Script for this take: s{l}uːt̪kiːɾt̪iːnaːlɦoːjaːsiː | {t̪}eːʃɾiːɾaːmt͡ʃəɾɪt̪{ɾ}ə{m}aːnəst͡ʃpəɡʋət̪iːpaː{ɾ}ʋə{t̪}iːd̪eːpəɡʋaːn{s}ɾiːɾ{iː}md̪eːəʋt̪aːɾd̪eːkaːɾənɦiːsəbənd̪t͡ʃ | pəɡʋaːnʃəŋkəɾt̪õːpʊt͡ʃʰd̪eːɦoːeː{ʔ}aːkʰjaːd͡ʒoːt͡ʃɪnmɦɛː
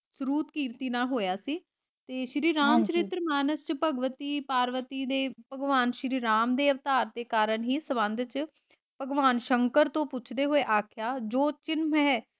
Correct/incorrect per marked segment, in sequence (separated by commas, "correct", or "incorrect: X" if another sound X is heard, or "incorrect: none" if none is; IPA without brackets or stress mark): incorrect: ɾ, correct, correct, correct, correct, correct, incorrect: ʃ, incorrect: aː, correct